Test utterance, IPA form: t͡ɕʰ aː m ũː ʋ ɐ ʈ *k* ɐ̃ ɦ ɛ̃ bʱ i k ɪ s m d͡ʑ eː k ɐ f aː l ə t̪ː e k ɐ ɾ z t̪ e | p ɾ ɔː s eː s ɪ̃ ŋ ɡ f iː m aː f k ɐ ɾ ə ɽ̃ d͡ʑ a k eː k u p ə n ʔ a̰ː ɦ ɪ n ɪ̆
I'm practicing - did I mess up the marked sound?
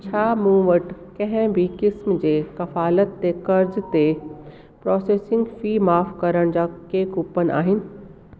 no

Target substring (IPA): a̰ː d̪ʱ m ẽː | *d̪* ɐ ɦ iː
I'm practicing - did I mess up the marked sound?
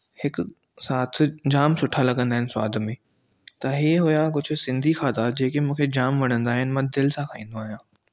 yes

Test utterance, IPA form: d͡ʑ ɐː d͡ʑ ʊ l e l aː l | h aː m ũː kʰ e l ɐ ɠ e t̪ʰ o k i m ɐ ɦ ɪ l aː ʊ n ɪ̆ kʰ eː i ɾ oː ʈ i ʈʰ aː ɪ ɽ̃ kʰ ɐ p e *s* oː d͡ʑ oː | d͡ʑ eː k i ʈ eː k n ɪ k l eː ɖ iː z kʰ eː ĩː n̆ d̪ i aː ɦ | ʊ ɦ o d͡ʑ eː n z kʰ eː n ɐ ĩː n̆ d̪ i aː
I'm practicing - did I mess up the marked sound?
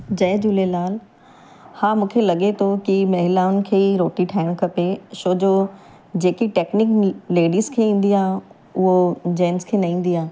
yes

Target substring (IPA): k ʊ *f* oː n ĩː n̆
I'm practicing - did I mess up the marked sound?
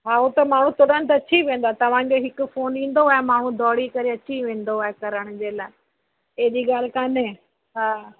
no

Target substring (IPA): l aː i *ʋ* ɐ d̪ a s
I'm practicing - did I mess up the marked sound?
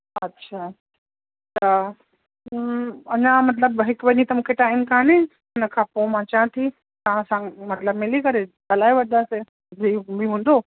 no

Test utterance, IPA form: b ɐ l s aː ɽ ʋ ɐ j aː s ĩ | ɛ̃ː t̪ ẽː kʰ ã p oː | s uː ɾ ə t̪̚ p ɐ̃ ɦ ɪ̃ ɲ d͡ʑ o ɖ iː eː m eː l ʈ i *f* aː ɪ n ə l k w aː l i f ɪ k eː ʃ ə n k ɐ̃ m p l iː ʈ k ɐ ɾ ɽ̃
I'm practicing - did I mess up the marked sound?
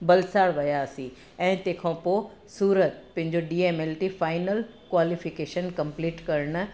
no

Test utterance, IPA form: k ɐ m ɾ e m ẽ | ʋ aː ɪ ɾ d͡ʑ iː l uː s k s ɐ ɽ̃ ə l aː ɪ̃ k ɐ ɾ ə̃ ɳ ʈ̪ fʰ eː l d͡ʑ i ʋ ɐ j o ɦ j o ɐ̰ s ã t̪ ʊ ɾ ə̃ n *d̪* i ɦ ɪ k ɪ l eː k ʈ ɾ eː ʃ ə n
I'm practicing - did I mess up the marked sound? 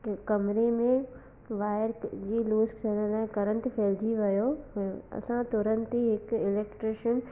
yes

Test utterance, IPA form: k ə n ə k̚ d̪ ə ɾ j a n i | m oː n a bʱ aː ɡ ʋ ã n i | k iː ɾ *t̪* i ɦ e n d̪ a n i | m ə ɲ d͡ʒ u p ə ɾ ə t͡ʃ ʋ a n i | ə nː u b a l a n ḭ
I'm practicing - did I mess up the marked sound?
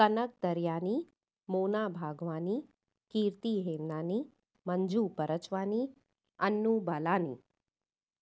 no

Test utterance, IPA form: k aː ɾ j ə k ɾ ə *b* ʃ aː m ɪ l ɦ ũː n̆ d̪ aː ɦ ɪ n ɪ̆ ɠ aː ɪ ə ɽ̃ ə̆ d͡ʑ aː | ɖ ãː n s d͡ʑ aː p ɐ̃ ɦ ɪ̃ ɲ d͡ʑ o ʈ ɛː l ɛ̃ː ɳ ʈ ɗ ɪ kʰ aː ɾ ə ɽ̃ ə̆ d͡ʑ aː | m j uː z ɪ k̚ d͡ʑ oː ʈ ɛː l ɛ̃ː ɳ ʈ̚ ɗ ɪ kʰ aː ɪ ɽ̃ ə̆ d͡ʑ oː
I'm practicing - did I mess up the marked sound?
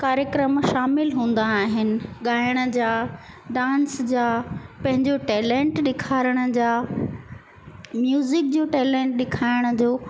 yes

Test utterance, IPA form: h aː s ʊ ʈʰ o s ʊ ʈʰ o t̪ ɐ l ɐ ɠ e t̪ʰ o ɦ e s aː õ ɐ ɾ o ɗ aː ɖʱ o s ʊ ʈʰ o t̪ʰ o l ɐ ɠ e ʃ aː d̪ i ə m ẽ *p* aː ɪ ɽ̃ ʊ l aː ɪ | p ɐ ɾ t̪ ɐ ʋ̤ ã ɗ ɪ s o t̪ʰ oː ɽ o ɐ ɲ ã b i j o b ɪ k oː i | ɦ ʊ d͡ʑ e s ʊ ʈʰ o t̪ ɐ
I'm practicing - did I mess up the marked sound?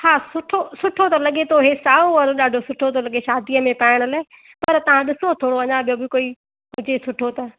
no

